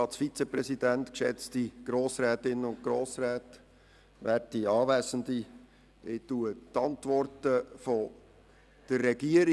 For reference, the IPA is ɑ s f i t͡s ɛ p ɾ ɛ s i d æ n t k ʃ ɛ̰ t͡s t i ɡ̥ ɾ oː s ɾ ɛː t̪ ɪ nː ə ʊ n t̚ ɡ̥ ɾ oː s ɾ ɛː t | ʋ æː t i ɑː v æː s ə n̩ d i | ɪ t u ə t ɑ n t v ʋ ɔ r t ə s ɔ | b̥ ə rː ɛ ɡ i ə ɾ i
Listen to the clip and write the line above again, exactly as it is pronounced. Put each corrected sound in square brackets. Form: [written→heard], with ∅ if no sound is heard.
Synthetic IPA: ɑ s f i t͡s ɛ p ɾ ɛ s i d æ n t k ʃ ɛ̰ t͡s t i ɡ̥ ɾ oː s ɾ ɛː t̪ ɪ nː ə ʊ n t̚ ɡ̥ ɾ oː s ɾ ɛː t | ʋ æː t i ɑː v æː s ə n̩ d i | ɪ t u ə t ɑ n t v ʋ ɔ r t ə [s→f] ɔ | [b̥→d̥] ə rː ɛ ɡ i ə ɾ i